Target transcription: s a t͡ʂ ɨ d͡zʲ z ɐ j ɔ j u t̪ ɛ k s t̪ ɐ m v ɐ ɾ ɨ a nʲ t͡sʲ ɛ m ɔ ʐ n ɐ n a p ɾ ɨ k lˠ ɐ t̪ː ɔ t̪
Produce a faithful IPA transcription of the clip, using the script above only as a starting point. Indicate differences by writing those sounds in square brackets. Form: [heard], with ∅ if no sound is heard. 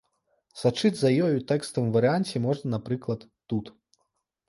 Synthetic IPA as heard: s a t͡ʂ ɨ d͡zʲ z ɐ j ɔ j u t̪ ɛ k s t̪ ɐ m v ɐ ɾ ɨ a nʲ t͡sʲ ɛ m ɔ ʐ n ɐ n a p ɾ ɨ k lˠ ɐ t̪ː [u] t̪